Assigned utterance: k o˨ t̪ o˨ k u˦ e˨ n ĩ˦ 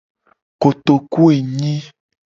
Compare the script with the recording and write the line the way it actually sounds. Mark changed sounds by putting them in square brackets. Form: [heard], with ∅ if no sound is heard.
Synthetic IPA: k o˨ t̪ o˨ k u˦ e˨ [ɲ] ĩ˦